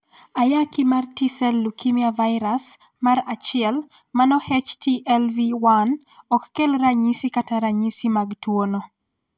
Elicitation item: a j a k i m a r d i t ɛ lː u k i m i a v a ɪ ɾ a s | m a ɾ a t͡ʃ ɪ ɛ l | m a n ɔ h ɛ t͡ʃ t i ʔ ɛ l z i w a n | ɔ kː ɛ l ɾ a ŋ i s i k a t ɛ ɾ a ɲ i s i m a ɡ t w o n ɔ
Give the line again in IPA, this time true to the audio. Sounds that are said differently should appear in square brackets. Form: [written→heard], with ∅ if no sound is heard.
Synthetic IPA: a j a k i m a r [d→t] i [t→s] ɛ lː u k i m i a v a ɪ ɾ a s | m a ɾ a t͡ʃ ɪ ɛ l | m a n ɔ h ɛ t͡ʃ t i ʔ ɛ l [z→v] i w a n | ɔ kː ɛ l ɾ a [ŋ→ɲ] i s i k a t [ɛ→a] ɾ a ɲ i s i m a ɡ t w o n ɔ